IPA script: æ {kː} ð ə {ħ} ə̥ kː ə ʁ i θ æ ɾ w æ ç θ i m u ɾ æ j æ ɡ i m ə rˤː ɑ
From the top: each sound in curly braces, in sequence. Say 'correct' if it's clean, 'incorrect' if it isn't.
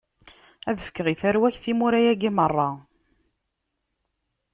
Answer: incorrect: none, incorrect: f

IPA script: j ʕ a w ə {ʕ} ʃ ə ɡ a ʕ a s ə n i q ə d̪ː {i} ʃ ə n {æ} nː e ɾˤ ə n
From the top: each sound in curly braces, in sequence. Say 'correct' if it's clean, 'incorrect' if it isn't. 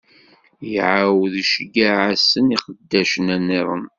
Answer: incorrect: ð, incorrect: æ, correct

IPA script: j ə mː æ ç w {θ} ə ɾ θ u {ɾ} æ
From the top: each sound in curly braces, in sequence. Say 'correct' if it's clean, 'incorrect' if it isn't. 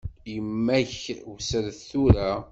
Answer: incorrect: s, correct

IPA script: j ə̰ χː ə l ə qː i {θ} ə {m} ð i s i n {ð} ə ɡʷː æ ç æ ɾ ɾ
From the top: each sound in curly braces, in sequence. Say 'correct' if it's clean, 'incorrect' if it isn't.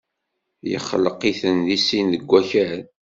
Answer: correct, incorrect: n, correct

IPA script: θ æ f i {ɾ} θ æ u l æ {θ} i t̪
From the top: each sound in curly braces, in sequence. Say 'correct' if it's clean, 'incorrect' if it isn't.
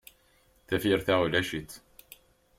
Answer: correct, incorrect: ʃ

